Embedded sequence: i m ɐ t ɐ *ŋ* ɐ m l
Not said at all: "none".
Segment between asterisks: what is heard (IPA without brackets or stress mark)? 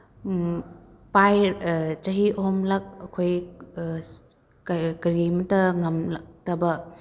ŋ